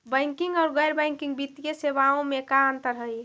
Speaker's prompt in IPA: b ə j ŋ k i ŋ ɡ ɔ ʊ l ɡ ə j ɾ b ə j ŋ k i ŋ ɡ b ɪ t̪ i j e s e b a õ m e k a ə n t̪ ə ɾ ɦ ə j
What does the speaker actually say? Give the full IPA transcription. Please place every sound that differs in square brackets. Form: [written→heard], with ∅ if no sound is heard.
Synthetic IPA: b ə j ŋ k i ŋ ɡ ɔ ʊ [l→ɾ] ɡ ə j ɾ b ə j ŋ k i ŋ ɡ b [ɪ→i] t̪ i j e s e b a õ m e k a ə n t̪ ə ɾ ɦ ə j

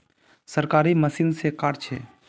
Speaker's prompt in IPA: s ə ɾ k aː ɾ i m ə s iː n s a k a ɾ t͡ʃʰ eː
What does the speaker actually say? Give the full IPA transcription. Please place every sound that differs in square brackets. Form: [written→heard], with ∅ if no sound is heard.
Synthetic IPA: s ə ɾ k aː ɾ i m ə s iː n s [a→e] k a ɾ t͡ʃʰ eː

